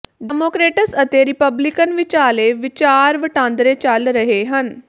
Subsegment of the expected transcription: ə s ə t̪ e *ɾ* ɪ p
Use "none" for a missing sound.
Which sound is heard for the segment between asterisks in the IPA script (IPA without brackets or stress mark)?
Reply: ɾ